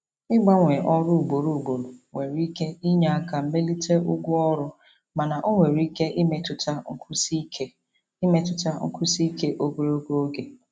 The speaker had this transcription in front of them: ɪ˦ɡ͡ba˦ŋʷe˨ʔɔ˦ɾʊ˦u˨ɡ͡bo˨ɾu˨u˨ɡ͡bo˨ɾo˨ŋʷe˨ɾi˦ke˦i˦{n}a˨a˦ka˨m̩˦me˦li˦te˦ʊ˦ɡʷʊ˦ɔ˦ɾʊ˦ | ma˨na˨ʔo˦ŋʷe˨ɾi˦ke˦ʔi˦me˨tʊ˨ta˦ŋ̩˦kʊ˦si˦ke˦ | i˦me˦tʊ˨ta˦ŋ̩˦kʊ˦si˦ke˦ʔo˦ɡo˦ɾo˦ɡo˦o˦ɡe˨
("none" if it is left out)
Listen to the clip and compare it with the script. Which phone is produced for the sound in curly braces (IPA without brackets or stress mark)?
ɲ